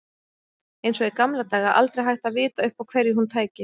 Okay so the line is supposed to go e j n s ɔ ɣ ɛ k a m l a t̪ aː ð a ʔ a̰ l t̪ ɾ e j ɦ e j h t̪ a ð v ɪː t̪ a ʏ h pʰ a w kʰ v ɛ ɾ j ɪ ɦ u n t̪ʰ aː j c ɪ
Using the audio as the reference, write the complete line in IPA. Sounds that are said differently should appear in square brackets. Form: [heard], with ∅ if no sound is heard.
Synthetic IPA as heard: e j n s ɔ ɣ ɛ k a m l a t̪ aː [ɣ] a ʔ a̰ l t̪ ɾ e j ɦ [a] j h t̪ a ð v ɪː t̪ a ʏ h [p] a w kʰ v ɛ ɾ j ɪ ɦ u n t̪ʰ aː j c ɪ